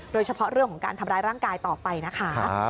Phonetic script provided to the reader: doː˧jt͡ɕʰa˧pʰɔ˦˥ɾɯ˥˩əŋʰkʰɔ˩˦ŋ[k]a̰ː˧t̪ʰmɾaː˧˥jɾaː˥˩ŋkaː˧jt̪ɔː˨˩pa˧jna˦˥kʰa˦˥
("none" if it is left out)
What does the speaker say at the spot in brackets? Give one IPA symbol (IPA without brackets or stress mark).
k